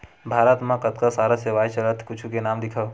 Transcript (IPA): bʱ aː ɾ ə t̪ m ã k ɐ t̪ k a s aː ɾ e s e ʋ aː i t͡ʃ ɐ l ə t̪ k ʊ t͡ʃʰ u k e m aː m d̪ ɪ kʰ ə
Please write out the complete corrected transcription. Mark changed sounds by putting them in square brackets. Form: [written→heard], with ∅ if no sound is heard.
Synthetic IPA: bʱ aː ɾ ə t̪ m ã k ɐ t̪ k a s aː ɾ [e→a] s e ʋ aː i t͡ʃ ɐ l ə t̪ k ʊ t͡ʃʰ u k e [m→n] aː m d̪ ɪ kʰ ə